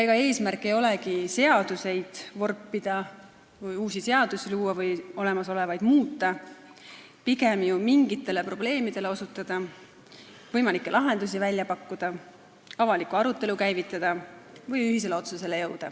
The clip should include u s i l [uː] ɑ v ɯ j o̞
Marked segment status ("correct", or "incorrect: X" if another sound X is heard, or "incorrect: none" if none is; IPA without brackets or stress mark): correct